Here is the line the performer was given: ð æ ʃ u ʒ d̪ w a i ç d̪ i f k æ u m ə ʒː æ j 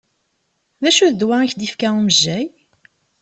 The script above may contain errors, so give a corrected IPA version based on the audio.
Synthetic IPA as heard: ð æ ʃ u ð d̪ w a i ç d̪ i f k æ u m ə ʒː æ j

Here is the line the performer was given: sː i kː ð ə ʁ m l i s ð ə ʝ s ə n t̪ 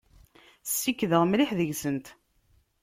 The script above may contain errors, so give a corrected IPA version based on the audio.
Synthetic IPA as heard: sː i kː ð ə ʁ m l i ħ ð ə ʝ s ə n t̪

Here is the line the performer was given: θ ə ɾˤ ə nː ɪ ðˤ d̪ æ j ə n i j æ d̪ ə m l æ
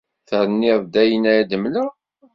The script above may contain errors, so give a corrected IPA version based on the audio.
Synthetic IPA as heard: θ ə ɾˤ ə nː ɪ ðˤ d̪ æ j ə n æ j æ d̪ ə m l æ

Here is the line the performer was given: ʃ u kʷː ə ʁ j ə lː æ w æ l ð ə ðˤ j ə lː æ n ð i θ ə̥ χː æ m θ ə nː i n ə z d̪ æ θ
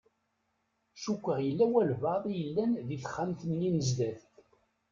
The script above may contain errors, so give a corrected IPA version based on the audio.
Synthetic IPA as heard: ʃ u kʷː ə ʁ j ə lː æ w æ l v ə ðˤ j ə lː æ n ð i θ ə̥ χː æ m θ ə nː i n ə z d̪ æ θ

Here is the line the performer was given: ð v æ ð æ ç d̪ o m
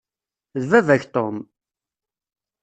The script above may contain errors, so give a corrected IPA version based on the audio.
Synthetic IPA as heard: ð v æ v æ ç t̪ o m

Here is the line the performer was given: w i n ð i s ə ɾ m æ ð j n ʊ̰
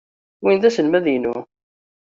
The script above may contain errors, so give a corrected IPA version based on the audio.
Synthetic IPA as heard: w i n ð æ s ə l m æ ð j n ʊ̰

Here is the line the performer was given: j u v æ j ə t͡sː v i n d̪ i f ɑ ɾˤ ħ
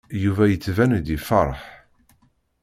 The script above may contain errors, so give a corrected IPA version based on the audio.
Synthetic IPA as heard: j u v æ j ə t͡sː v æ n d̪ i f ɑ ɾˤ ħ

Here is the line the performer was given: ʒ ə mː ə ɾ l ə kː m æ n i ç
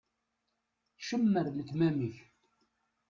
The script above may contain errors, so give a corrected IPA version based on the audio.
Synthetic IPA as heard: ʃ ə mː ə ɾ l ə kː m æ m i ç

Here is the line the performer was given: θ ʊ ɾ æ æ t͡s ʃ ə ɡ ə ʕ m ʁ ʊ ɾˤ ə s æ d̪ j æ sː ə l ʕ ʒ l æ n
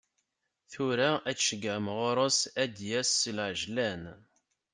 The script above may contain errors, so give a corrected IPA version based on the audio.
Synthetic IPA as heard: θ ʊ ɾ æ æ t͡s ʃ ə ɡ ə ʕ m ʁ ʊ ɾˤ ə s æ d̪ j æ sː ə l ʕ ʒ l æ n

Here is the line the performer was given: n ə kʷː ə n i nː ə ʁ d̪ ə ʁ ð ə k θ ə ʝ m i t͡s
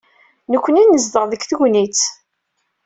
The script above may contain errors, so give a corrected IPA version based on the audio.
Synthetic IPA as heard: n ə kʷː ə n i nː ə z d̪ ə ʁ ð ə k θ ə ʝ n i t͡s

